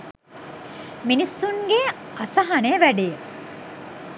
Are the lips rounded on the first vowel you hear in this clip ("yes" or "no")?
no